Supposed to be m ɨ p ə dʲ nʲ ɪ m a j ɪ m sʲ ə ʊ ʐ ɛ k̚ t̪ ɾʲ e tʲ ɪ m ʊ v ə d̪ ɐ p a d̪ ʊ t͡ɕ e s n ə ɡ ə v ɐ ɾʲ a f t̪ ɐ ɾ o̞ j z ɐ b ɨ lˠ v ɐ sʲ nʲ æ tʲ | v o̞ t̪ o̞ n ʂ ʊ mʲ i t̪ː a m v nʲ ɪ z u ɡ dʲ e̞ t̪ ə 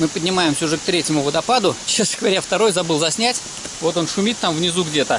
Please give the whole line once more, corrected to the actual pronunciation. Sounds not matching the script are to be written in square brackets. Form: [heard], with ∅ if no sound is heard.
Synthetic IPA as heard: m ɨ p ə dʲ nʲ ɪ m a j ɪ m sʲ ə ʊ ʐ ɛ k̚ t̪ ɾʲ e tʲ ɪ m ʊ v ə d̪ ɐ p a d̪ ʊ t͡ɕ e s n ə ɡ ə v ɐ ɾʲ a f t̪ ɐ ɾ o̞ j z ɐ b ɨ lˠ [z] ɐ sʲ nʲ æ tʲ | v o̞ t̪ o̞ n ʂ ʊ mʲ i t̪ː a m v nʲ ɪ z u ɡ dʲ e̞ t̪ ə